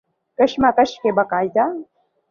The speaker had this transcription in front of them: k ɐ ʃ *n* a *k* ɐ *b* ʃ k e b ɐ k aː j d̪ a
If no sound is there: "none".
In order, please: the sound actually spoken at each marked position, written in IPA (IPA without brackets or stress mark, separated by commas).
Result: m, k, none